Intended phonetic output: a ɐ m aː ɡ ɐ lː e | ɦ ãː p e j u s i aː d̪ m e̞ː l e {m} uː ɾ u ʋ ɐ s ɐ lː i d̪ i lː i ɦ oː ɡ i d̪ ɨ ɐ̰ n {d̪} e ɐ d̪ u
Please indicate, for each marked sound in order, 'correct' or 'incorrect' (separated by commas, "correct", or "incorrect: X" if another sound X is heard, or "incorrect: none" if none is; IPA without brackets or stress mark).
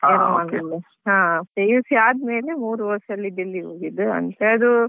correct, incorrect: t̪